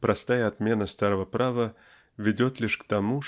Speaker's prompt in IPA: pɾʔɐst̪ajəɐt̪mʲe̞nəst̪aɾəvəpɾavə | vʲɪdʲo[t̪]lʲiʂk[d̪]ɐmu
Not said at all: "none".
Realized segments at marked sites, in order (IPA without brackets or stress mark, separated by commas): t̪, t̪